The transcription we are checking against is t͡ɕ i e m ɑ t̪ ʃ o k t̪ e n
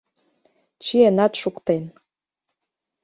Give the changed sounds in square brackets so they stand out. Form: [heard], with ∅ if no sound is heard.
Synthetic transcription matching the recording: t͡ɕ i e [n] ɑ t̪ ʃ [u] k t̪ e n